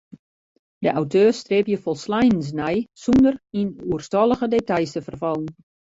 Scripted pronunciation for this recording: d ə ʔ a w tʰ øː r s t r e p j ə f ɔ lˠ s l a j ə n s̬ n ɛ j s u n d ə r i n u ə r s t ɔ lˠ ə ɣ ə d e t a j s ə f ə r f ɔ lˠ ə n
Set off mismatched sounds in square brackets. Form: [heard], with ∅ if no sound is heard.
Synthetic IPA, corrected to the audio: d ə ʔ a w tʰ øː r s t r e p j ə f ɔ lˠ s l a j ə n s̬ n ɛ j s u n d ə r i n u ə r s t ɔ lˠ ə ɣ ə d e t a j s ə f ə r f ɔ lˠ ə n